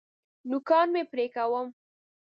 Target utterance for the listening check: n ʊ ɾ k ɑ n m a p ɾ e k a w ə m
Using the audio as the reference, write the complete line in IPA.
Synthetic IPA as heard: n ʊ k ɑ n m e p ɾ e k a w ə m